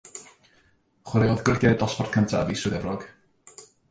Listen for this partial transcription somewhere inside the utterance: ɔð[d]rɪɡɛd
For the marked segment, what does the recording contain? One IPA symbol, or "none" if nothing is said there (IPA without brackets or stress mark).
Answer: ɡ